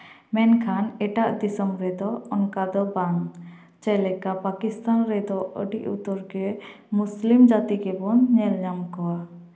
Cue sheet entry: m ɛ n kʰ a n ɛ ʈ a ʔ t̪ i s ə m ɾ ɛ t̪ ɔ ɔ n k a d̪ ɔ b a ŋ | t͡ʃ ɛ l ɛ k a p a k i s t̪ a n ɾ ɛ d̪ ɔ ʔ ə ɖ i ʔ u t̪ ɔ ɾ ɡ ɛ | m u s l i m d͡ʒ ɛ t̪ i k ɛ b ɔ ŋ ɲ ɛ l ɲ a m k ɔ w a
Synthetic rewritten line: m ɛ n kʰ a n ɛ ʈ a ʔ d̪ i s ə m ɾ ɛ d̪ ɔ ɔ n k a d̪ ɔ b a ŋ | t͡ʃ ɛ l ɛ k a p a k i s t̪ a n ɾ ɛ d̪ ɔ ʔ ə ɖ i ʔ u t̪ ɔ ɾ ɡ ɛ | m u s l i m d͡ʒ a t̪ i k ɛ b ɔ n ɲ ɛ l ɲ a m k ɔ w a